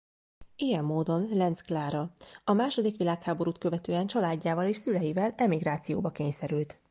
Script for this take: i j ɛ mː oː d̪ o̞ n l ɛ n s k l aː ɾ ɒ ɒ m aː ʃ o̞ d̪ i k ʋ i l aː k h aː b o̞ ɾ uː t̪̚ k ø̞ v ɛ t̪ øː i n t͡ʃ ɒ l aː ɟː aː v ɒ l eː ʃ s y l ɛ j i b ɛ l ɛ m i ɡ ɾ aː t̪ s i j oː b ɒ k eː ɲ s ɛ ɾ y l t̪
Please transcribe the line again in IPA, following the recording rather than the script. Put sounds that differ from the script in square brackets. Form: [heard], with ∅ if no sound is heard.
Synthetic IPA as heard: i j ɛ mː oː d̪ o̞ n l ɛ n s k l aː ɾ ɒ ɒ m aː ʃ o̞ d̪ i k ʋ i l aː k h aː b o̞ ɾ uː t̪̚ k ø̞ v ɛ t̪ øː [ɛ] n t͡ʃ ɒ l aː ɟː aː v ɒ l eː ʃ s y l ɛ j i [v] ɛ l ɛ m i ɡ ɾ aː t̪ s i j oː b ɒ k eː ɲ s ɛ ɾ y l t̪